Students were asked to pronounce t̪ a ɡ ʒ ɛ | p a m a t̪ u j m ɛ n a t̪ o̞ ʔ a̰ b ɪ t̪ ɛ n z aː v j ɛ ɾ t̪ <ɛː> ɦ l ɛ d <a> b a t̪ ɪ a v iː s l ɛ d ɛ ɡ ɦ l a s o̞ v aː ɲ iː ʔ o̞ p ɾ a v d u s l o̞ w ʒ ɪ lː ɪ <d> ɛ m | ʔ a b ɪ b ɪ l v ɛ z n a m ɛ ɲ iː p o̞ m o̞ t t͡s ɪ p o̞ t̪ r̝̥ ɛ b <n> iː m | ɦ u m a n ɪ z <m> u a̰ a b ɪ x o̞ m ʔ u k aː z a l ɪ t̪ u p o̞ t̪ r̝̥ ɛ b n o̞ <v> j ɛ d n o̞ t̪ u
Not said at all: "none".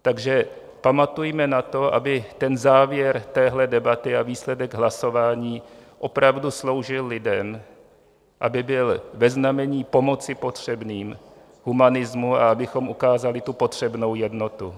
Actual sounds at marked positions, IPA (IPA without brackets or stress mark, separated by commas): ɛː, ɛ, d, n, m, w